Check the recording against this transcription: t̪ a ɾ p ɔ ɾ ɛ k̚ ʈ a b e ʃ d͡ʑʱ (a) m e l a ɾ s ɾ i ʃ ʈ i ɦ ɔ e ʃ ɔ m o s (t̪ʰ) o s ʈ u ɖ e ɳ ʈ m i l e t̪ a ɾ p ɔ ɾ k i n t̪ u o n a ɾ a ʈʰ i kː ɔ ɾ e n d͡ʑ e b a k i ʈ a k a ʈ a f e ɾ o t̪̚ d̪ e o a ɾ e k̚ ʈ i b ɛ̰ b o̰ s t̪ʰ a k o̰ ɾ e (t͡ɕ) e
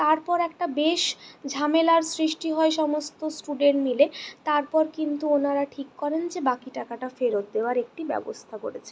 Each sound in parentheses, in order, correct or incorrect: correct, incorrect, incorrect

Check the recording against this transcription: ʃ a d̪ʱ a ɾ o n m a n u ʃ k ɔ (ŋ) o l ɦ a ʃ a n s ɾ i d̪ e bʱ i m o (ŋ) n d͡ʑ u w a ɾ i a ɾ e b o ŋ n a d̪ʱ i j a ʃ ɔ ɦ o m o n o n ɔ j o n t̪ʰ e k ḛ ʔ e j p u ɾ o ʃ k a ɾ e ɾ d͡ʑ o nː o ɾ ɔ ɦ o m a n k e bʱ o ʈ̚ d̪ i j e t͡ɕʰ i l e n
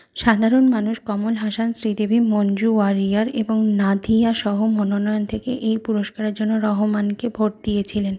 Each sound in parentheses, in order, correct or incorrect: incorrect, incorrect

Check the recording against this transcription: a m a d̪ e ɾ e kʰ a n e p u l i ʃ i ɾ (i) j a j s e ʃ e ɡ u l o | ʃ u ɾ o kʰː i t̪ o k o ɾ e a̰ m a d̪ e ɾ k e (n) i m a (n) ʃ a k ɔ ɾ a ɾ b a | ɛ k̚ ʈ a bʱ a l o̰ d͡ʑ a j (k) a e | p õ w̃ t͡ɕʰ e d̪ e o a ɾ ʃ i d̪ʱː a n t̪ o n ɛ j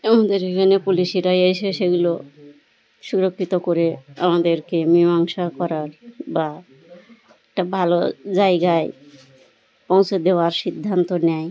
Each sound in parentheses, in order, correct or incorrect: incorrect, incorrect, incorrect, incorrect

